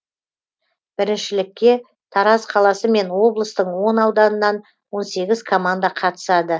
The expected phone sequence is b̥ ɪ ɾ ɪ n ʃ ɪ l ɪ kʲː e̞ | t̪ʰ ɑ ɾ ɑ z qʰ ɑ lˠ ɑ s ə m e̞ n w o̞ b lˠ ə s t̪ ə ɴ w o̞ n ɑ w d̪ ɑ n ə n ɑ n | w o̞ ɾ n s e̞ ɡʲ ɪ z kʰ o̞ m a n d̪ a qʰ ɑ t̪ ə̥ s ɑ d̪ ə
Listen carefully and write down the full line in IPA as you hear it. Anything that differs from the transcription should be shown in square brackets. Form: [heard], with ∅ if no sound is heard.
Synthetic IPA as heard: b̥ ɪ ɾ ɪ n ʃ ɪ l ɪ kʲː e̞ | t̪ʰ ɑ ɾ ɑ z qʰ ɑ lˠ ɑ s ə m e̞ n w o̞ b lˠ ə s t̪ ə ɴ w o̞ n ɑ w d̪ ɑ n ə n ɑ n | w o̞ [∅] n s e̞ ɡʲ ɪ z kʰ o̞ m a n d̪ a qʰ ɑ t̪ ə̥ s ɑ d̪ ə